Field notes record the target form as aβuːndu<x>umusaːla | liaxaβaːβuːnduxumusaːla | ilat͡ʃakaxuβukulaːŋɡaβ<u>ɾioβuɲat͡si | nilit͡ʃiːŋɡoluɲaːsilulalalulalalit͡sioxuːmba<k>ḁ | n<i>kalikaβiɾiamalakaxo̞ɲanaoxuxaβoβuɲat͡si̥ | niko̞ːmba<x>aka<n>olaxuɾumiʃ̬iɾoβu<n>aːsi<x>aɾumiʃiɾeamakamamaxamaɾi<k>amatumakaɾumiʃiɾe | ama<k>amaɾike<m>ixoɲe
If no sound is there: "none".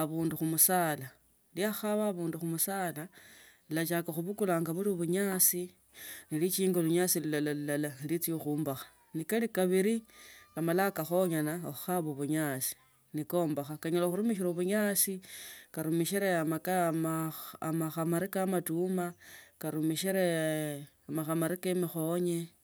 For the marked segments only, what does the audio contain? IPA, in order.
x, u, x, i, x, ɲ, ɲ, k, k, x, m

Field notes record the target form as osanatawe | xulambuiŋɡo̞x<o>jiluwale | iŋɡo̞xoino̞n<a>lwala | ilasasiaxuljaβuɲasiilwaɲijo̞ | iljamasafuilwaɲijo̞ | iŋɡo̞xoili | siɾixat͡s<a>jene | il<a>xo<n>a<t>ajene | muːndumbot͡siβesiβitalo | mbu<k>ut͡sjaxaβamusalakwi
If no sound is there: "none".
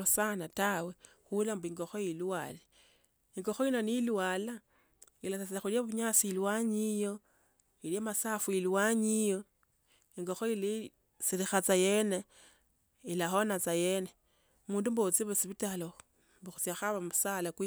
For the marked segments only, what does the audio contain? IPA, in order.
o, i, a, a, n, t͡s, x

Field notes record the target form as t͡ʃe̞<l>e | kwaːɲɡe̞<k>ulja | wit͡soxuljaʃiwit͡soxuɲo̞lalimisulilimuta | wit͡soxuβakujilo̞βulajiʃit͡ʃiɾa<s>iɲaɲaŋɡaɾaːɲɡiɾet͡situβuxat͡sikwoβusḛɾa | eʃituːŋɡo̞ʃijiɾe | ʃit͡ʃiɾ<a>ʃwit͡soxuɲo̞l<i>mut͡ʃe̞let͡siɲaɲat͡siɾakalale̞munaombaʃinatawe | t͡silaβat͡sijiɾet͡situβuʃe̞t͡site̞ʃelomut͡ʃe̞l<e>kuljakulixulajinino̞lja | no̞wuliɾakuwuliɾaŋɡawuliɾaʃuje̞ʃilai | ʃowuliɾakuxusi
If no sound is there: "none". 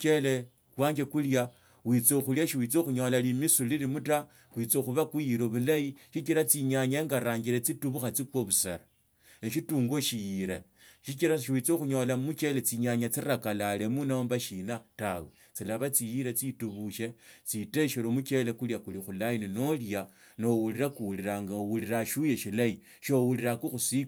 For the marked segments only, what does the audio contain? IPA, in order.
l, k, t͡s, a, a, e

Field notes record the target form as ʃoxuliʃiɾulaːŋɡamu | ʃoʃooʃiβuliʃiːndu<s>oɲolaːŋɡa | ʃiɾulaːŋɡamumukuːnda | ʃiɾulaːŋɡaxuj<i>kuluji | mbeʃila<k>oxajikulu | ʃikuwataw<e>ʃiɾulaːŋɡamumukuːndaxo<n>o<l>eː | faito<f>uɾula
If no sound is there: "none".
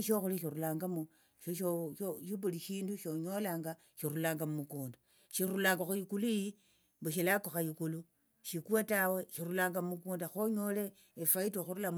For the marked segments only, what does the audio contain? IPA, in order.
ʃ, i, k, e, ɲ, l, x

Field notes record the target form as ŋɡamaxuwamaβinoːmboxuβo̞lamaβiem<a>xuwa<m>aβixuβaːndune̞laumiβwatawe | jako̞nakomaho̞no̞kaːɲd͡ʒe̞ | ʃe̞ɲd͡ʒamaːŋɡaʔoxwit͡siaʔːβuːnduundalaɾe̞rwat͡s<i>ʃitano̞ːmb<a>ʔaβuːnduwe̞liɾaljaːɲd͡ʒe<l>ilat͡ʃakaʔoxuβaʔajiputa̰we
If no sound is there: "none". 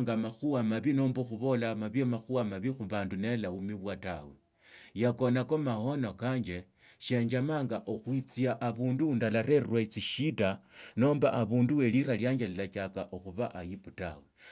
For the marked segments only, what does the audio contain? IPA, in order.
a, m, i, a, l

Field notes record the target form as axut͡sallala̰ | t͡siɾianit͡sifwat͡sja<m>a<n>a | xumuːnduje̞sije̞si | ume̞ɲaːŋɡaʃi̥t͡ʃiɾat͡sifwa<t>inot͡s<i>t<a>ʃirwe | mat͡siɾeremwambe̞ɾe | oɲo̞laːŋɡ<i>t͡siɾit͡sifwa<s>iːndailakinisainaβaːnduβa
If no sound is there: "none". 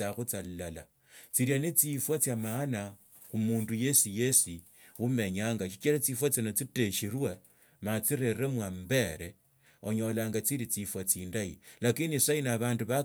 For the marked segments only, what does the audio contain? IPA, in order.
m, n, t͡s, i, e, a, t͡s

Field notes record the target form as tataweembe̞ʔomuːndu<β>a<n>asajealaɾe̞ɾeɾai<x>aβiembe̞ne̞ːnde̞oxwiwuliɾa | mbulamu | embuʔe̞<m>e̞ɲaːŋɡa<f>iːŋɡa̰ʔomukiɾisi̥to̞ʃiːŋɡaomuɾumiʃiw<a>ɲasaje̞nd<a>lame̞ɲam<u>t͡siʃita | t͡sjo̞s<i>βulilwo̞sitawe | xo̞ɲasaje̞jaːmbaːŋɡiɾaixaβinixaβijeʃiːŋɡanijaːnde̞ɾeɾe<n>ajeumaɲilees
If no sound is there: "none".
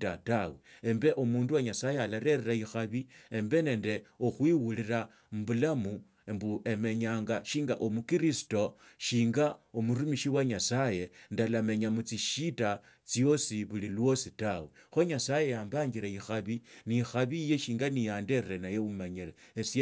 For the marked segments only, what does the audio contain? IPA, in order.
w, ɲ, x, m, ʃ, a, a, u, i, n

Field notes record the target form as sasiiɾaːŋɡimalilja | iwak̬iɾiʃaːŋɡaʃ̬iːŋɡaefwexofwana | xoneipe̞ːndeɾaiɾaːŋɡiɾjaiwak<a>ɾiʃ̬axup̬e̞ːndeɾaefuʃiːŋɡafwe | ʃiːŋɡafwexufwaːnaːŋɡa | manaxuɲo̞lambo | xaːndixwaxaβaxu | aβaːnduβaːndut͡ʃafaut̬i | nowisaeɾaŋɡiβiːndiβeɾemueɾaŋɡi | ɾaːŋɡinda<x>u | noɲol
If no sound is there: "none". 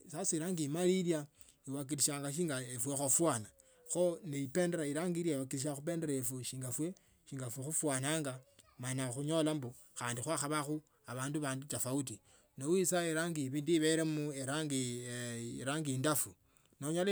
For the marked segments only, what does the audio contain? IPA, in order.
i, f

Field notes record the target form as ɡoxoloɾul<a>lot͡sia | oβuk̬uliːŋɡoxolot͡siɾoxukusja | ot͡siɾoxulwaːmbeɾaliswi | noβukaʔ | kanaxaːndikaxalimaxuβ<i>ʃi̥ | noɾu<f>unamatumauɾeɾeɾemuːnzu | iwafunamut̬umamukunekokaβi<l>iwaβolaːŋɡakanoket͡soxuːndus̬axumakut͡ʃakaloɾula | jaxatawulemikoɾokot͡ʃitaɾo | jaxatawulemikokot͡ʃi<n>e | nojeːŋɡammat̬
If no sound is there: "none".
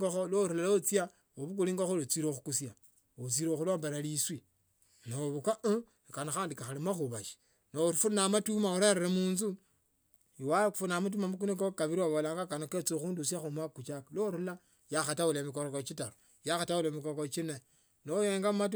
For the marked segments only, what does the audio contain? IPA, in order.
a, a, f, ɾ, n

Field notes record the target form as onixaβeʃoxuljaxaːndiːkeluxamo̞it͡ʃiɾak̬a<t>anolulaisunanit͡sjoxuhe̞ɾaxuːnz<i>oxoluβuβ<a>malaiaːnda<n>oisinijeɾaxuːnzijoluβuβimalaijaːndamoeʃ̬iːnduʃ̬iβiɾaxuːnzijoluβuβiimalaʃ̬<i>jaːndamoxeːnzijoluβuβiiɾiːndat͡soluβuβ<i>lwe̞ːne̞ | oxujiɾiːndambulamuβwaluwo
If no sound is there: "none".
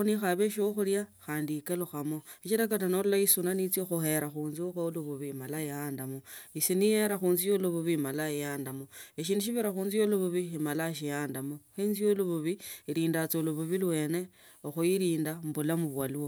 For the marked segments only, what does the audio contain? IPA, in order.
t, i, i, m, i, i

